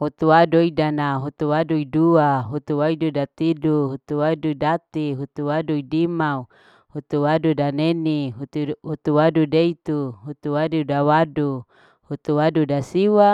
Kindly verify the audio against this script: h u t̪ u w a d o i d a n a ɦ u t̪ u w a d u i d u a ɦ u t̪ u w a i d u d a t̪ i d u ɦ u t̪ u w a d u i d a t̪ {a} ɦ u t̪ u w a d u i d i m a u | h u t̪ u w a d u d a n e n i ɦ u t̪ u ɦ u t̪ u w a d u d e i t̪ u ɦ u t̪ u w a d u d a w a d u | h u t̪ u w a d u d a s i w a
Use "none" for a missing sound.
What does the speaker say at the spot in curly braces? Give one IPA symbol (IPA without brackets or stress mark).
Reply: i